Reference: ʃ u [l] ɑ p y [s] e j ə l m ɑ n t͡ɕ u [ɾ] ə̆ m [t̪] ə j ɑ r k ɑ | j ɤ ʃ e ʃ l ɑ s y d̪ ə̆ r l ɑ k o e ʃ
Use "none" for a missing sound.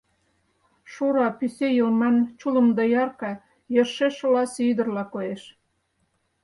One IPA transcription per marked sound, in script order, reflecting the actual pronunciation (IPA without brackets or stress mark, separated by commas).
ɾ, s, l, d̪